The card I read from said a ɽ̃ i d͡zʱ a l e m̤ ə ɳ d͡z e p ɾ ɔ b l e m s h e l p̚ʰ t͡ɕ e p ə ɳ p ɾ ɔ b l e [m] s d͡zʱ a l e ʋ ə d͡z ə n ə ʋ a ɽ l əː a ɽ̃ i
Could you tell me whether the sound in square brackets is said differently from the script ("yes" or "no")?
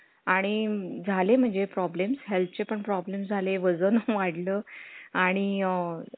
no